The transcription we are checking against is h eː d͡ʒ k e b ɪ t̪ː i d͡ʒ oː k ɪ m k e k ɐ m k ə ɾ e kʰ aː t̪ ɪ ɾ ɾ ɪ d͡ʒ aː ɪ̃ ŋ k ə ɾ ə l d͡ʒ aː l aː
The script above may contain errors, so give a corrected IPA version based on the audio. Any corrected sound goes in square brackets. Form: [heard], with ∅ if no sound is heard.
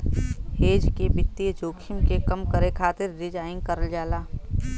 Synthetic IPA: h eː d͡ʒ k e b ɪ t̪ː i d͡ʒ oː [kʰ] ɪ m k e k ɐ m k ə ɾ e kʰ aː t̪ ɪ ɾ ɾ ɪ d͡ʒ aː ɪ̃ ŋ k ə ɾ ə l d͡ʒ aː l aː

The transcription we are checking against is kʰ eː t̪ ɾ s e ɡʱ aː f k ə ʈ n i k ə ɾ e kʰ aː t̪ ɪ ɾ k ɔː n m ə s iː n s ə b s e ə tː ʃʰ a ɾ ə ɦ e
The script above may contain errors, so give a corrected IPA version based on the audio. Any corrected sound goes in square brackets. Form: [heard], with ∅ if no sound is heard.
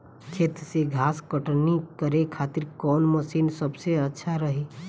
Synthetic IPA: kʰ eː t̪ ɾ s e ɡʱ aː [s] k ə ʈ n i k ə ɾ e kʰ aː t̪ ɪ ɾ k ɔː n m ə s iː n s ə b s e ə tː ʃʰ a ɾ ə ɦ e

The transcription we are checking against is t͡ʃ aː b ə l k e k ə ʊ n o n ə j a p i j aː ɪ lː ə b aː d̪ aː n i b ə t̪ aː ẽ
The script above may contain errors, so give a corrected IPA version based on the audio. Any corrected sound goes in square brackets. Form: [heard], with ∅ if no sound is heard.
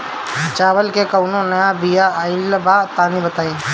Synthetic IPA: t͡ʃ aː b ə l k e k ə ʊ n o n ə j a [b] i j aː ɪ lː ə b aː [t̪] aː n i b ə t̪ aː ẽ

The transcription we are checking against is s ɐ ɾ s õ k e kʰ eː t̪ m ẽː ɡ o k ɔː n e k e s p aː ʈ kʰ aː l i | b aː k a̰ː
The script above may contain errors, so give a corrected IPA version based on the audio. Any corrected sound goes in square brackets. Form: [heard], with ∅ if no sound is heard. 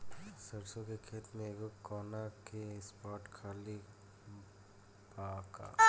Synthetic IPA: s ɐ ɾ s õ k e kʰ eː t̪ m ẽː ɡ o k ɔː n [a] k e s p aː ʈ kʰ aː l i | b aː k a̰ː

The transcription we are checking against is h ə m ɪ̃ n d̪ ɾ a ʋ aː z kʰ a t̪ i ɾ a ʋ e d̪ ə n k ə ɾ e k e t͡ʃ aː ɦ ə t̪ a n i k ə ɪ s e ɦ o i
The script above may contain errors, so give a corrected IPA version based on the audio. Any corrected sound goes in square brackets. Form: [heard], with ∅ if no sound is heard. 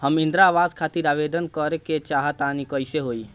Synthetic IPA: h ə m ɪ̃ n d̪ ɾ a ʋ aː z kʰ a t̪ i ɾ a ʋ e d̪ ə n k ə ɾ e k e t͡ʃ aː ɦ ə t̪ a n i k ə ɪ s e ɦ o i

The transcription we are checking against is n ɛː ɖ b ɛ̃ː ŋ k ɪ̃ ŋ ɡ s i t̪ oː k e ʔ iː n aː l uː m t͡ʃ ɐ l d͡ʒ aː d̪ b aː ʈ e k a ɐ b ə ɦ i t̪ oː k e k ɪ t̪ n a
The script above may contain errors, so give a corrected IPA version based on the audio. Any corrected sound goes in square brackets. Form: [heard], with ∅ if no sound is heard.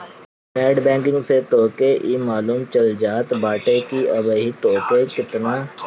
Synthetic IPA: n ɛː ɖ b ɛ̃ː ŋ k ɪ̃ ŋ ɡ s [e] t̪ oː k e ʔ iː [m] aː l uː m t͡ʃ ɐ l d͡ʒ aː [t̪] b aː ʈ e k [i] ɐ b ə ɦ i t̪ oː k e k ɪ t̪ n a

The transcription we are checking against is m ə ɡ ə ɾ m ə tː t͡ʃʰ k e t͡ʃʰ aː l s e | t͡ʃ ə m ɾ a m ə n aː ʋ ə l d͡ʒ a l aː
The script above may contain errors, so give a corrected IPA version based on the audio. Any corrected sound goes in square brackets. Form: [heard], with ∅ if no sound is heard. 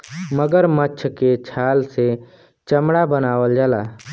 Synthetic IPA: m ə ɡ ə ɾ m ə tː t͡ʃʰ k e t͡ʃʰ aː l s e | t͡ʃ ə m [ɽ] a [b] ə n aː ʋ ə l d͡ʒ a l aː

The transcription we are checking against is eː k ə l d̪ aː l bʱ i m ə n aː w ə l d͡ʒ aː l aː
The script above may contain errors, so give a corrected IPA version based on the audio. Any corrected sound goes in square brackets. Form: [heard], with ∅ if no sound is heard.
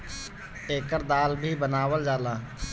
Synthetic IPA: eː k ə [ɾ] d̪ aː l bʱ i [b] ə n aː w ə l d͡ʒ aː l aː

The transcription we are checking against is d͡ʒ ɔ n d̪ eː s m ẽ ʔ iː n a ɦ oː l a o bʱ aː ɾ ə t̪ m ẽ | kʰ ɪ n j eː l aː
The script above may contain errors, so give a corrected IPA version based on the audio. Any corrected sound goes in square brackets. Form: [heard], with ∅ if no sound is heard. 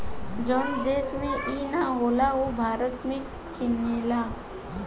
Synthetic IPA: d͡ʒ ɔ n d̪ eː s m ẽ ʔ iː n a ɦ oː l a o bʱ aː ɾ ə t̪ m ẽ | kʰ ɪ n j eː l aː

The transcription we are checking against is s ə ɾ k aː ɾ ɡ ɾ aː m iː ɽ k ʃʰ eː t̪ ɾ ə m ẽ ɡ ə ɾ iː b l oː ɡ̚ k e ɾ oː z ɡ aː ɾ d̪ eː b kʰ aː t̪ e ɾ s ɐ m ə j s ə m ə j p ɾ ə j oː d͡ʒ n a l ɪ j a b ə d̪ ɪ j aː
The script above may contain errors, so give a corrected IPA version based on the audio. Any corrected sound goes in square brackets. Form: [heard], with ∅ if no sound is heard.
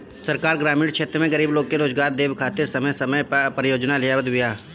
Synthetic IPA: s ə ɾ k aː ɾ ɡ ɾ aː m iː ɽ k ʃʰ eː t̪ ɾ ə m ẽ ɡ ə ɾ iː b l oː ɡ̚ k e ɾ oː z ɡ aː ɾ d̪ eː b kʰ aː t̪ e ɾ s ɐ m ə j s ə m ə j p ɾ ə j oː d͡ʒ n a l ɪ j a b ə d̪ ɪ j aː

